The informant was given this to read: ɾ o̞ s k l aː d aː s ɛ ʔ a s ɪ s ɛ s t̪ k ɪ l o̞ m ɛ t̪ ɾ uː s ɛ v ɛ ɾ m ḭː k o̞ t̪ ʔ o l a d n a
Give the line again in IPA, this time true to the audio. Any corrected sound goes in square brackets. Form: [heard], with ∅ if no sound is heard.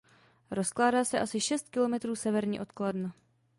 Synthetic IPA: ɾ o̞ s k l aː d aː s ɛ ʔ a s ɪ [ʃ] ɛ s t̪ k ɪ l o̞ m ɛ t̪ ɾ uː s ɛ v ɛ ɾ [ɲ] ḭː [ʔ] o̞ t̪ [k] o l a d n a